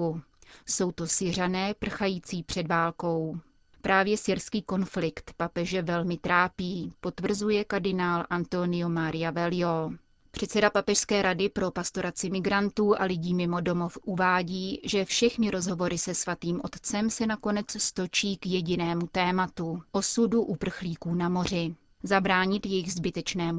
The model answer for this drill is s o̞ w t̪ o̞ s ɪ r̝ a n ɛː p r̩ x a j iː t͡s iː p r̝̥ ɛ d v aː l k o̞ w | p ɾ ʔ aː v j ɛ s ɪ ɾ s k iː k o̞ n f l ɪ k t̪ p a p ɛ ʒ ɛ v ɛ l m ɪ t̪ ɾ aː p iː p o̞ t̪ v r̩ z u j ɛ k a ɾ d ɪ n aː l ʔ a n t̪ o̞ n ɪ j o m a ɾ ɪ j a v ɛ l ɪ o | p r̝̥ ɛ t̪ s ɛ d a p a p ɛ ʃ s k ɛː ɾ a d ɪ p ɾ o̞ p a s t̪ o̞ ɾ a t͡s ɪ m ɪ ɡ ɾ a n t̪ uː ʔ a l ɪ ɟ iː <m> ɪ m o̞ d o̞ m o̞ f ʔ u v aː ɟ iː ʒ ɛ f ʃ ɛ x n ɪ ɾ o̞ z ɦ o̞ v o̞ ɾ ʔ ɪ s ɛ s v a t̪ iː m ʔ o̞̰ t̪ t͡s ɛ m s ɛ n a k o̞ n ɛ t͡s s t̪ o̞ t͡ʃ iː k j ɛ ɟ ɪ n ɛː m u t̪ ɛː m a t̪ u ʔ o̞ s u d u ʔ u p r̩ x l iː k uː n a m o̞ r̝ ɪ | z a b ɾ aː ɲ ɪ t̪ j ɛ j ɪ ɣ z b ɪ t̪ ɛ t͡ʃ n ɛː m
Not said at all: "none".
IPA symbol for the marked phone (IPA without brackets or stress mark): m